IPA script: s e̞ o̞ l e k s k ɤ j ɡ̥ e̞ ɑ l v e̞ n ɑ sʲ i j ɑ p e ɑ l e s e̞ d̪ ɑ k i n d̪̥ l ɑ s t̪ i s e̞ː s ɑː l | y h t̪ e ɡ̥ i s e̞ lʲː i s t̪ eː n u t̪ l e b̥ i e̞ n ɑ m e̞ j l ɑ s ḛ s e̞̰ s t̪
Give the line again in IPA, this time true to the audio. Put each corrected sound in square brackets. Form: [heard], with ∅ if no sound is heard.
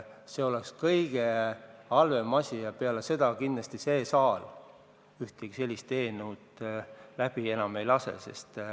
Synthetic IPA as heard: s e̞ o̞ l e k s k ɤ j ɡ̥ e̞ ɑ l v e̞ [m] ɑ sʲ i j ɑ p e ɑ l e s e̞ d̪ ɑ k i n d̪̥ l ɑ s t̪ i s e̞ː s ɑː l | y h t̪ e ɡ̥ i s e̞ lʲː i s t̪ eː n u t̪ l [æ] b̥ i e̞ n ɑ m e̞ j l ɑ s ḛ s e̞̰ s t̪